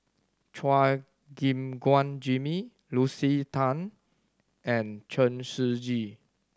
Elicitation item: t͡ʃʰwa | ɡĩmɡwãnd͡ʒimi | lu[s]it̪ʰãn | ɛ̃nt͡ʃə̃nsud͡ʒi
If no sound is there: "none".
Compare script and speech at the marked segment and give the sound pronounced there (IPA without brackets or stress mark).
s